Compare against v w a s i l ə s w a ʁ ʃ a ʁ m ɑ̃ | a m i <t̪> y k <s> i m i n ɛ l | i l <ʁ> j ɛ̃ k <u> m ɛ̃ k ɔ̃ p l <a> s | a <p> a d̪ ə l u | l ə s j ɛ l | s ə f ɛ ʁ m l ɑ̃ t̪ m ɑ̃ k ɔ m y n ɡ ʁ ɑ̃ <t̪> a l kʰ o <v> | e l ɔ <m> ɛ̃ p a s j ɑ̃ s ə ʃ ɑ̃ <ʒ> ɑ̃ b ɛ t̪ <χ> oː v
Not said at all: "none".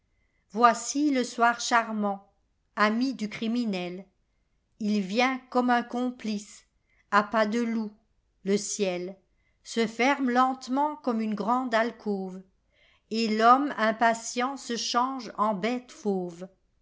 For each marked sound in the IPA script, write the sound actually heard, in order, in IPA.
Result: d̪, χ, v, ɔ, i, p, d̪, v, m, ʒ, f

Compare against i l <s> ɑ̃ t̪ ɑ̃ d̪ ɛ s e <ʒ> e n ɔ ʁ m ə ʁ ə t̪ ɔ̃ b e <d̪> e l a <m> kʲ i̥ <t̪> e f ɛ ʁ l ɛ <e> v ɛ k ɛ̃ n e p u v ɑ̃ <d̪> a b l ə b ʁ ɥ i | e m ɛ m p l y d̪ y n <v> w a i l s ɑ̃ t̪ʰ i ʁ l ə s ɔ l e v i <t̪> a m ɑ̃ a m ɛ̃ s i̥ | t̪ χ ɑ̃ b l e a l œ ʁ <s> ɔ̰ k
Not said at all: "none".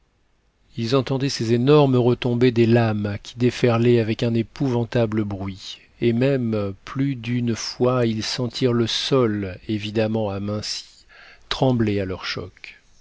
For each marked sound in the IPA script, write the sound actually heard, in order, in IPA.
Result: z, z, d̪, m, d̪, a, t̪, f, d̪, ʃ

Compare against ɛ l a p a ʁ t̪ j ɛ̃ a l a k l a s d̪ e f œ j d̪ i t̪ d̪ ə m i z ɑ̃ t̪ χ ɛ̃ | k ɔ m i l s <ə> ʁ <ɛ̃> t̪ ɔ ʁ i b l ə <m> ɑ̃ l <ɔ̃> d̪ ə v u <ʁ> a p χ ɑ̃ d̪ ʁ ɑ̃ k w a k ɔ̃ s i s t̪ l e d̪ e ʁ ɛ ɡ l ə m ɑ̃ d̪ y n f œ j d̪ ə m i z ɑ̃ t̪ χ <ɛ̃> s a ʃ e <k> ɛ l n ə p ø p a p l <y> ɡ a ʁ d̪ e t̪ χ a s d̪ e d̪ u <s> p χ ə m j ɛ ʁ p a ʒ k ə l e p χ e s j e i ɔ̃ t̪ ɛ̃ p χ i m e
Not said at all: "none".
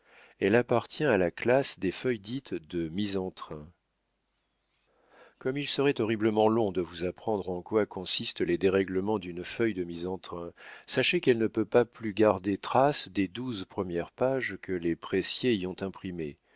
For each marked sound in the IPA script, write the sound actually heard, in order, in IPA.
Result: ə, ɛ, m, ɔ̃, z, ɛ̃, k, y, z

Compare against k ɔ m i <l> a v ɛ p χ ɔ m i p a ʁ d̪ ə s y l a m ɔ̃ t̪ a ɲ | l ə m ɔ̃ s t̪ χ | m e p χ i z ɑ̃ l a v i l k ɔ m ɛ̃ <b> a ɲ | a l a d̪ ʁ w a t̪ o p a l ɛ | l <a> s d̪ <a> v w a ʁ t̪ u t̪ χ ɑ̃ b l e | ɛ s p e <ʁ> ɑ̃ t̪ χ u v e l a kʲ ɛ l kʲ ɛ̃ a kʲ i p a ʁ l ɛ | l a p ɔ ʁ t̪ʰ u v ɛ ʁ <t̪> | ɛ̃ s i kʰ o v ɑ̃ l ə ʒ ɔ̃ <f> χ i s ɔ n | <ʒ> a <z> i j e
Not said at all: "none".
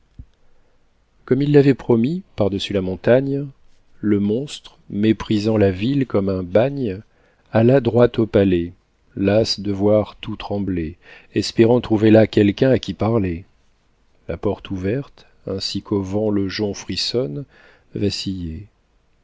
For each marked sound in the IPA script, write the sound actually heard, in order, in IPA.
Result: lː, b, a, ə, ʁ, t̪, f, v, s

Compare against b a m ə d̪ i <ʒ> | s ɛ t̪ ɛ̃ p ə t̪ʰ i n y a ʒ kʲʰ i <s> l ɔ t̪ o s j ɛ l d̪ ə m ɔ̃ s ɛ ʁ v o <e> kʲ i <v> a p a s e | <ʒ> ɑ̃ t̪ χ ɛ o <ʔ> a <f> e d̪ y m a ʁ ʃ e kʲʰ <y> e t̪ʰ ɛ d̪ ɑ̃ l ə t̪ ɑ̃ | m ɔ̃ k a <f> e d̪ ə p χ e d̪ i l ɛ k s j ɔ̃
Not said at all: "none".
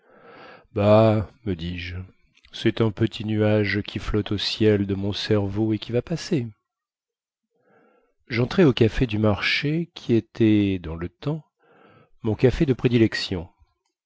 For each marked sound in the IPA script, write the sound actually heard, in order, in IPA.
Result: ʒ, f, e, v, ʒ, k, f, i, f

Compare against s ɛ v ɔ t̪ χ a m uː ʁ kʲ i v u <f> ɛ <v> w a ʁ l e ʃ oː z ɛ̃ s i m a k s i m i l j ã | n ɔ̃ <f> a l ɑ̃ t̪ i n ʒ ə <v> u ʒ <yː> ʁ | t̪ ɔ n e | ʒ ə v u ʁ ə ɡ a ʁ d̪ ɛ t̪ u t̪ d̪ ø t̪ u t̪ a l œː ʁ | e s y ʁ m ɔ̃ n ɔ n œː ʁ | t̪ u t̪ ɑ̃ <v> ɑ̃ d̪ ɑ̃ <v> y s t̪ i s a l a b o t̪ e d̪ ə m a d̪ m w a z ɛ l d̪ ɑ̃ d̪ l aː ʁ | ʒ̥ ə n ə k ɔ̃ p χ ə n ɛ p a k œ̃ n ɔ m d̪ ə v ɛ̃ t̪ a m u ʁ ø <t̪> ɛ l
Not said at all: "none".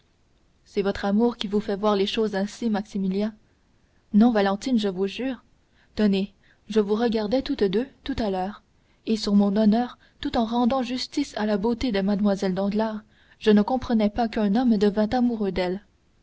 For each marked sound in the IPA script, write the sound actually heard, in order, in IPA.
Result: f, v, v, v, yː, ʁ, ʒ, d̪

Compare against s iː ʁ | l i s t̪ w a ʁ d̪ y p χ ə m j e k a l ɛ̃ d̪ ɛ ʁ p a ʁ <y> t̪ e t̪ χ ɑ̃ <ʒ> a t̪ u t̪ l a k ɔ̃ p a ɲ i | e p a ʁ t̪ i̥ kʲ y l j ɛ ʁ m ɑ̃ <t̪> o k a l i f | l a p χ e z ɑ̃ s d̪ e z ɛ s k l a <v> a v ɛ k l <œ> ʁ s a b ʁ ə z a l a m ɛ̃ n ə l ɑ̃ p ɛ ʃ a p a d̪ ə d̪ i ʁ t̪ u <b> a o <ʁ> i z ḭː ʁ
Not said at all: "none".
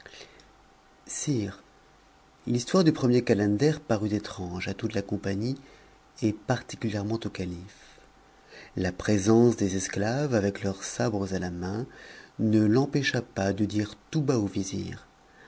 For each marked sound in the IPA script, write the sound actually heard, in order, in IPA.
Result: y, ʒ, t̪, v, œ, b, v

